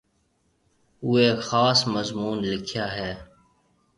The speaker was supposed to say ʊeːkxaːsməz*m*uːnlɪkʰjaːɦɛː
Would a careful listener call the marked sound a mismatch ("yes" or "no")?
no